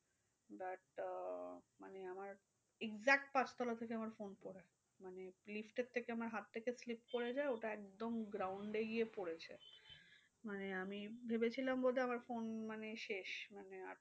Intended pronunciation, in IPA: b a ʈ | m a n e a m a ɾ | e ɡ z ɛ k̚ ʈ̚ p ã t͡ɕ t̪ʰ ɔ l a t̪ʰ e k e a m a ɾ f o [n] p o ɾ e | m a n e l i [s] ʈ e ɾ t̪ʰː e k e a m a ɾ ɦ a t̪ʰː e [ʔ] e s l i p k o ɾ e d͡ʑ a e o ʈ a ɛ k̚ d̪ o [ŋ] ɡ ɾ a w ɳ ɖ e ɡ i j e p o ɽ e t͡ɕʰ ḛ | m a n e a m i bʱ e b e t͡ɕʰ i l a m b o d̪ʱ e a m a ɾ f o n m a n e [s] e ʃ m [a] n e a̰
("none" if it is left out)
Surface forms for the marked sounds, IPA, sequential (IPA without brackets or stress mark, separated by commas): n, f, k, m, ʃ, a